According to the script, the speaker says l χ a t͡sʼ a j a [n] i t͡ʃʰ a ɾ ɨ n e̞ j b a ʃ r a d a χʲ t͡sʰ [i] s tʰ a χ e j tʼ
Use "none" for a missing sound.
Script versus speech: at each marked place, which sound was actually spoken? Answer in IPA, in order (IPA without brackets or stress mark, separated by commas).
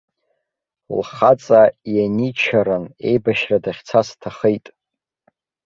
n, a